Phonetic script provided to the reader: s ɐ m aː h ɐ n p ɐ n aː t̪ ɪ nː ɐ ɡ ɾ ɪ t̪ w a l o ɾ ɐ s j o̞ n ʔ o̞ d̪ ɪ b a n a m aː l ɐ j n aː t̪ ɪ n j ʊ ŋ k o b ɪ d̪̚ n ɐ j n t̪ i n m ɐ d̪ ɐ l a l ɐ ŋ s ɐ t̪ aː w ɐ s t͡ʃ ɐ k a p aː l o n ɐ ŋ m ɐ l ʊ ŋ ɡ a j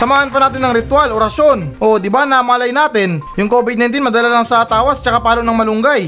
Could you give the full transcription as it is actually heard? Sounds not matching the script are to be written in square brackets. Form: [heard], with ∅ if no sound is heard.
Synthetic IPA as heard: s ɐ m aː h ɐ n p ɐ n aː t̪ ɪ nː ɐ [ŋ] ɾ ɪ t̪ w a l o ɾ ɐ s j o̞ n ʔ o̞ d̪ ɪ b a n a m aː l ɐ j n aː t̪ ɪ n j ʊ ŋ k o b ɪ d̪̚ n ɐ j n t̪ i n m ɐ d̪ ɐ l a l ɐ ŋ s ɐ t̪ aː w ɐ s t͡ʃ ɐ k a p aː l o n ɐ ŋ m ɐ l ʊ ŋ ɡ a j